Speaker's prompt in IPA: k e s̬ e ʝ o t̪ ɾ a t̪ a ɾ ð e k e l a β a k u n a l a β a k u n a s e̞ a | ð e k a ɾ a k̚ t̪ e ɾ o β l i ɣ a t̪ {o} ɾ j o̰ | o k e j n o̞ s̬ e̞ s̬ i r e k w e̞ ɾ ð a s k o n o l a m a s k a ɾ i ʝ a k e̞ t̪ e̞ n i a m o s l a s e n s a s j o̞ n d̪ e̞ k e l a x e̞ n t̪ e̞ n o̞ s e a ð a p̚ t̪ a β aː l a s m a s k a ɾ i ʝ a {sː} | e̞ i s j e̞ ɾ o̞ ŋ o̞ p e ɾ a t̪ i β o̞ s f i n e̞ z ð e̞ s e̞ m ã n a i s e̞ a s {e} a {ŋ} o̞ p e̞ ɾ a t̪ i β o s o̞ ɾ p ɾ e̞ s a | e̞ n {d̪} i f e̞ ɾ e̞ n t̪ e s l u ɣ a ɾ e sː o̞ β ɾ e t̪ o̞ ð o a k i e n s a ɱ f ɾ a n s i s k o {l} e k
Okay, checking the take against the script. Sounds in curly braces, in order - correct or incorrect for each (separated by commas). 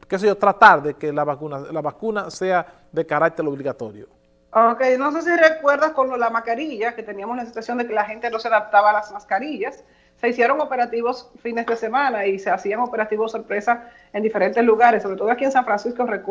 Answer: correct, correct, incorrect, correct, correct, incorrect